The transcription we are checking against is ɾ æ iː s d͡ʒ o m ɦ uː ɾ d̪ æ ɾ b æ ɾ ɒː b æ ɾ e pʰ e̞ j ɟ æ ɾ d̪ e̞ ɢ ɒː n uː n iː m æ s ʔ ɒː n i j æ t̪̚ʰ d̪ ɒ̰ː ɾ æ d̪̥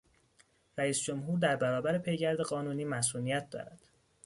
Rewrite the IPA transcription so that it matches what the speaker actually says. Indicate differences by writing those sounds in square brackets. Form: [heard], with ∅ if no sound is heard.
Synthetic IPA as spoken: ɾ æ iː s d͡ʒ o m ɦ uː ɾ d̪ æ ɾ b æ ɾ ɒː b æ ɾ e pʰ e̞ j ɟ æ ɾ d̪ e̞ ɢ ɒː n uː n iː m æ s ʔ [uː] n i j æ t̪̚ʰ d̪ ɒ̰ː ɾ æ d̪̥